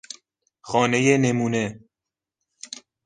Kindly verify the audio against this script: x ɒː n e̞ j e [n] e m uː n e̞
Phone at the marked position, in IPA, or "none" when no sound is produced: n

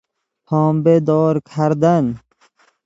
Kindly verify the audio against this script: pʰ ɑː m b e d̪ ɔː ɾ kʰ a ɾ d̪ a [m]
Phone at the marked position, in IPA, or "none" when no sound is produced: n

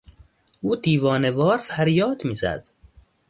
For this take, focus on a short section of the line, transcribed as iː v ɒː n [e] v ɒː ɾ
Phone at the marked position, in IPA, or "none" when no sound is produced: e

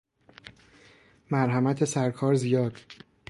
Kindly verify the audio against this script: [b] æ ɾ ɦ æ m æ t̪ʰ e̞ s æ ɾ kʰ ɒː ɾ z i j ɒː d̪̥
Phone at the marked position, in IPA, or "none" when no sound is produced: m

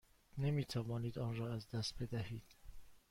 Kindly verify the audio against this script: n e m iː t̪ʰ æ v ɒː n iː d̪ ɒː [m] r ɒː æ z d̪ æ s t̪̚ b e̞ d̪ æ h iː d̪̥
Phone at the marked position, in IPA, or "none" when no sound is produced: n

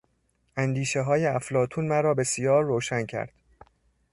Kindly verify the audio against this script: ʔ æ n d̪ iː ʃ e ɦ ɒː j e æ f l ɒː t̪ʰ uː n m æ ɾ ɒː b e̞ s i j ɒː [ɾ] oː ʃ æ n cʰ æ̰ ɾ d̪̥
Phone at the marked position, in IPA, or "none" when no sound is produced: ɾː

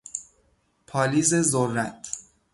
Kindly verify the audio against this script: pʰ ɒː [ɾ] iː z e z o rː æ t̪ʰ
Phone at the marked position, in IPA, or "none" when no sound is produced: l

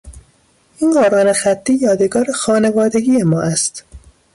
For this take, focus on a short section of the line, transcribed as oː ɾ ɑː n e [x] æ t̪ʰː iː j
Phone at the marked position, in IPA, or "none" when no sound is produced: x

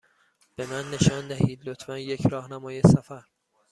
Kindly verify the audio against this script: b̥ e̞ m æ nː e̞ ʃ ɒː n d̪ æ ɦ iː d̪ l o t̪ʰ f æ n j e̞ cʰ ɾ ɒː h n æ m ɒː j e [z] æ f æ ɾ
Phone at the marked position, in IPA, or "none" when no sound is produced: s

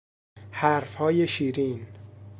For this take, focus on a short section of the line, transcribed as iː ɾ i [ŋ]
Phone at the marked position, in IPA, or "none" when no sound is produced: n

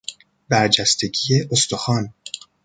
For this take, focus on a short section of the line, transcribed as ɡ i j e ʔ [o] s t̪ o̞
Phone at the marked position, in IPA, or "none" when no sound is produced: o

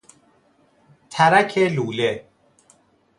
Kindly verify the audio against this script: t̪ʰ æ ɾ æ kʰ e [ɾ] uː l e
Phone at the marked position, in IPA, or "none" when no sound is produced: l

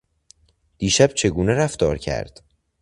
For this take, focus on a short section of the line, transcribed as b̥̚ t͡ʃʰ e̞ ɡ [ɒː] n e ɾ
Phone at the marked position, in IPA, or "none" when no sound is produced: uː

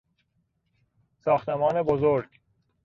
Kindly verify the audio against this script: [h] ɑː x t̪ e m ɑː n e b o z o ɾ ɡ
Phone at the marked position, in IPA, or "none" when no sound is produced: s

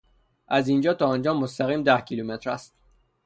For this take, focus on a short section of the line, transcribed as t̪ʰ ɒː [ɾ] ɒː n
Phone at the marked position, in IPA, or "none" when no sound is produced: none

